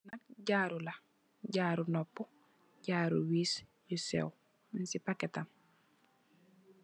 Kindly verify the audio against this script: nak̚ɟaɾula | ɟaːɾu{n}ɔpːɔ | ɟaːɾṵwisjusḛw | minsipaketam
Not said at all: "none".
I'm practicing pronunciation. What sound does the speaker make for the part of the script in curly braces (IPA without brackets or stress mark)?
n